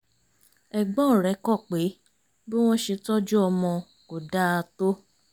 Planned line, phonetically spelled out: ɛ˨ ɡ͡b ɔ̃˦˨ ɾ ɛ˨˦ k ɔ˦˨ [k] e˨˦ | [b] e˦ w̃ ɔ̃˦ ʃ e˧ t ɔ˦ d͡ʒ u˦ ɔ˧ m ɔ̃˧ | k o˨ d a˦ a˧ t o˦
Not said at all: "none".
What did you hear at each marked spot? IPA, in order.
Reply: k͡p, b

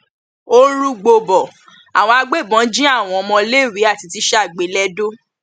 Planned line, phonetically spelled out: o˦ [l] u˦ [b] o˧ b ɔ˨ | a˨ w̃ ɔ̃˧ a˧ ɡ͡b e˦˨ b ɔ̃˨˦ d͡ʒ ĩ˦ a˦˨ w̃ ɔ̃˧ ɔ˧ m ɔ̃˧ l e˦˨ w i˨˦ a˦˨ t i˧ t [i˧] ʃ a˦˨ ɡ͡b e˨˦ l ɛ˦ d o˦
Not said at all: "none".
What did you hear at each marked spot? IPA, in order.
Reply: ɾ, ɡ͡b, i˧

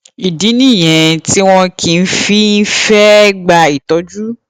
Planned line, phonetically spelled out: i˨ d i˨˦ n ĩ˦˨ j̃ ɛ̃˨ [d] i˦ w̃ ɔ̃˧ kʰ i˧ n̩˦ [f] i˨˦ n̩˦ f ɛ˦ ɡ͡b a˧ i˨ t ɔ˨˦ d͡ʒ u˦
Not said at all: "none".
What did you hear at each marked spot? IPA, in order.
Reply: t, f

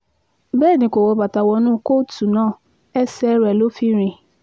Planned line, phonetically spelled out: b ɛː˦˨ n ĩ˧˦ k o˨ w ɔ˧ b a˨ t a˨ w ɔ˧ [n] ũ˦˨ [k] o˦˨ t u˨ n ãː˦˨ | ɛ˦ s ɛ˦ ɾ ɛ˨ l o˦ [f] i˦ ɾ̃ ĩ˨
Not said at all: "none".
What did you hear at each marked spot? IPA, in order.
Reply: n, k, f

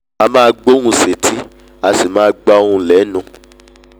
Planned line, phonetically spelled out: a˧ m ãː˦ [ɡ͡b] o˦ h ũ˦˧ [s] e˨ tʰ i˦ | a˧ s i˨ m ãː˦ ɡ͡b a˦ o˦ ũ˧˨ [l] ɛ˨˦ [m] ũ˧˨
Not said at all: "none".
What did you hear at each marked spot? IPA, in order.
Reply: ɡ͡b, s, l, n

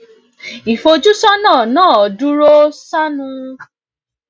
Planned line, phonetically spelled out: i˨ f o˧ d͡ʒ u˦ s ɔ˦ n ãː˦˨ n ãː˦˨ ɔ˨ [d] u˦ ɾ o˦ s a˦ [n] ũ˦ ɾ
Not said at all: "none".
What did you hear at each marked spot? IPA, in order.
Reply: d, n

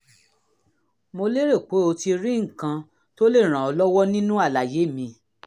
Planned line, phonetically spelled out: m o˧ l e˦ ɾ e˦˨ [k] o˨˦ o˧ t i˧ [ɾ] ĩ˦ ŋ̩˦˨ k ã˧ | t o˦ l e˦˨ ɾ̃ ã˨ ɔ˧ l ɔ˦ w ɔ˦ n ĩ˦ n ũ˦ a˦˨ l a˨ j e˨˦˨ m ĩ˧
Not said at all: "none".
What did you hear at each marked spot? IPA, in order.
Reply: k͡p, ɾ

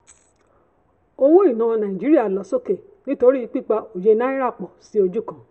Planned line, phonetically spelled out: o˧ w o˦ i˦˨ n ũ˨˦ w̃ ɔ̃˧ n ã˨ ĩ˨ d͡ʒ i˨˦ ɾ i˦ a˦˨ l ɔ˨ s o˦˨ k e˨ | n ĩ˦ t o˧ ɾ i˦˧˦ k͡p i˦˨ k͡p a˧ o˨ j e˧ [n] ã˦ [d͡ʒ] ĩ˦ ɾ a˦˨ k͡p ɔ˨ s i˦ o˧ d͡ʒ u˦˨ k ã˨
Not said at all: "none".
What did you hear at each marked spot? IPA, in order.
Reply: n, none

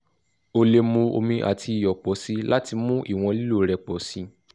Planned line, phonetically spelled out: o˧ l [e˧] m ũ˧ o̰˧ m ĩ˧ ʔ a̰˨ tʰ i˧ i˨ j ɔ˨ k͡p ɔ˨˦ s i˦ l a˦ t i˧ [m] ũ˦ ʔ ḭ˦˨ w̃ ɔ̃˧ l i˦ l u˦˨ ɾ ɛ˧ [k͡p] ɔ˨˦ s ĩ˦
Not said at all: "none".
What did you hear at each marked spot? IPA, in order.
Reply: e˧, m, k͡p

